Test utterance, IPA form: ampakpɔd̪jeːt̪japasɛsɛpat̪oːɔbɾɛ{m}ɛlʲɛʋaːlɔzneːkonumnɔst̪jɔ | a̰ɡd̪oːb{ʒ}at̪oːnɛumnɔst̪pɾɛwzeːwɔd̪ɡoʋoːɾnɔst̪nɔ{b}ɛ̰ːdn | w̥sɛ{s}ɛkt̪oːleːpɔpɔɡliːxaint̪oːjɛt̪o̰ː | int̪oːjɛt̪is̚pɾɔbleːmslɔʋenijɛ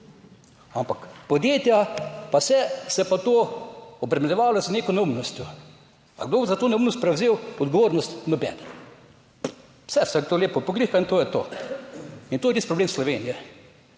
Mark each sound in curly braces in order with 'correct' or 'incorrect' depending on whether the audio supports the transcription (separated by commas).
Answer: correct, incorrect, correct, correct